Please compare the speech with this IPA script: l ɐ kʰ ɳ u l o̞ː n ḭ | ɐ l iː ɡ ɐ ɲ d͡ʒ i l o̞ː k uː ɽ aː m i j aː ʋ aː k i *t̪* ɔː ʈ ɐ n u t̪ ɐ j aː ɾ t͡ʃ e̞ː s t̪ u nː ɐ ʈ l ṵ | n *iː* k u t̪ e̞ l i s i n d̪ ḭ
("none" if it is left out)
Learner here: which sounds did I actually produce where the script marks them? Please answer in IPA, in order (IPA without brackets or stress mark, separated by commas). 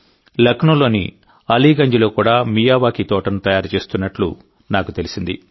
t̪, aː